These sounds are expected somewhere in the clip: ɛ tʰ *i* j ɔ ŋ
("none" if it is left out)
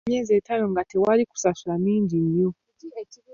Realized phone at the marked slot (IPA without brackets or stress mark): a